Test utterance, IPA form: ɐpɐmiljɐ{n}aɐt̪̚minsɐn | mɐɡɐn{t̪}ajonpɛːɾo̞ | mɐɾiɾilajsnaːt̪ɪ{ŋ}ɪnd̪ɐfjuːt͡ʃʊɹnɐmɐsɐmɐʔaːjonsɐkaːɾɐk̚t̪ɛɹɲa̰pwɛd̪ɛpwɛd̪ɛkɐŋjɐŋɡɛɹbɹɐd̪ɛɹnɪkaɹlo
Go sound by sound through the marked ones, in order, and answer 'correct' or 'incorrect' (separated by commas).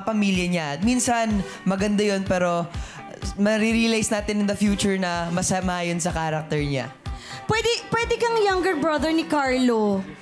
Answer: incorrect, incorrect, incorrect